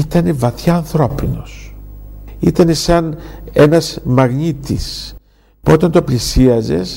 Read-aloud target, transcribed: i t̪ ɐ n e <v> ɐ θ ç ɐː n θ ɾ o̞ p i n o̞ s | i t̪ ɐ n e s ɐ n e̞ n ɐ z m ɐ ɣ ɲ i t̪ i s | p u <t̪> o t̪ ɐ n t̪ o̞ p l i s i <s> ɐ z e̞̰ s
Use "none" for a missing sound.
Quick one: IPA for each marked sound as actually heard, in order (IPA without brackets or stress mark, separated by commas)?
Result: v, none, none